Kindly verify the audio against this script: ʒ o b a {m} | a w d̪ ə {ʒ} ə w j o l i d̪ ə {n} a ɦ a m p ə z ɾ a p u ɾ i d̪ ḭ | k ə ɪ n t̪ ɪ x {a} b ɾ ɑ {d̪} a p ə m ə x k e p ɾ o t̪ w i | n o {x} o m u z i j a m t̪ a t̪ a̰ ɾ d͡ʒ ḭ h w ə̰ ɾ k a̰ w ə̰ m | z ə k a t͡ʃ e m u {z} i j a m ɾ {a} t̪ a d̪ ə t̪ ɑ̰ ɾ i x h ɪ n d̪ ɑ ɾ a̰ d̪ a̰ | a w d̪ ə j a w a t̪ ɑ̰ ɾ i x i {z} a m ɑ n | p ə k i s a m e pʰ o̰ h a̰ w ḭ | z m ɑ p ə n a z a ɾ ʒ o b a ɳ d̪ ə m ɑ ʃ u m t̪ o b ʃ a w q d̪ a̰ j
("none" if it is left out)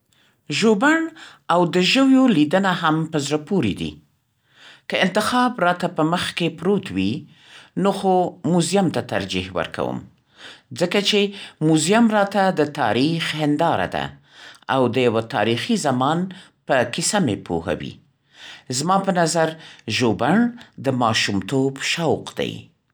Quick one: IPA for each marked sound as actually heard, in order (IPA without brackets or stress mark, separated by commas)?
ɳ, ʒ, n, ɑ, t̪, x, z, ɑ, z